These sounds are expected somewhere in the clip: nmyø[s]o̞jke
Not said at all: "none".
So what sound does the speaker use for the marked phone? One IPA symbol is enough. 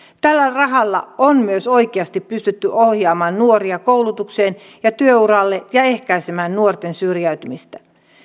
s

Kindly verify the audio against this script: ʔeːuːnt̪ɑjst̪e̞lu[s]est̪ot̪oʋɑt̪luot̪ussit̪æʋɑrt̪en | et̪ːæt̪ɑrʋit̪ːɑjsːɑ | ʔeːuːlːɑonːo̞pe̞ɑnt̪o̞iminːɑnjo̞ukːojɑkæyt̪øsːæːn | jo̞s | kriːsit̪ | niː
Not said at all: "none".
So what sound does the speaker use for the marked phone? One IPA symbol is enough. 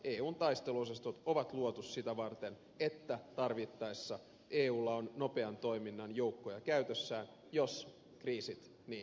s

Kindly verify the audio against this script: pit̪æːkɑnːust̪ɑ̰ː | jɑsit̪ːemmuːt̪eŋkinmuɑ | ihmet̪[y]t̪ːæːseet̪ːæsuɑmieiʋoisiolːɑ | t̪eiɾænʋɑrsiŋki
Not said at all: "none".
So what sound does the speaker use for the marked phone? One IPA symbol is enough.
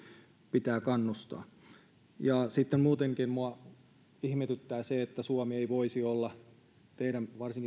y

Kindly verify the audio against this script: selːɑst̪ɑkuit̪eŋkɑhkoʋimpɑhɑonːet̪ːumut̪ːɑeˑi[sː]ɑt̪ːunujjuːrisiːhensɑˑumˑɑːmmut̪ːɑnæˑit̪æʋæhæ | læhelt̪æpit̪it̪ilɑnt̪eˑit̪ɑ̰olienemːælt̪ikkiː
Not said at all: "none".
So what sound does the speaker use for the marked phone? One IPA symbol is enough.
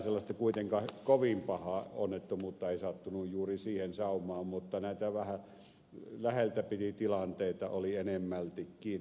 s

